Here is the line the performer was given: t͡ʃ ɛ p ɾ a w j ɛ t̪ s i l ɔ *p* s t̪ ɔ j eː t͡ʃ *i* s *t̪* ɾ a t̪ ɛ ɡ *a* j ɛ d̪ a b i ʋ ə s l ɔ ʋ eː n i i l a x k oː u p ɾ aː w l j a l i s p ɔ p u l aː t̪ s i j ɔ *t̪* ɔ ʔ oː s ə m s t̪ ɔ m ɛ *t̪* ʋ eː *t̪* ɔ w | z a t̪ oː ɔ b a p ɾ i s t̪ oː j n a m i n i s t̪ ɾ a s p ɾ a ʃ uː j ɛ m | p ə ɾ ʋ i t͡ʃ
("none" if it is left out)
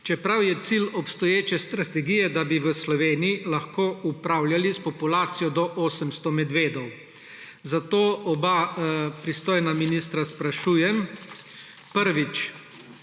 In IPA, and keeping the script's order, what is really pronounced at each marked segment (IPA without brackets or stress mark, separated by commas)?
p, ɛ, t̪, i, d̪, d̪, d̪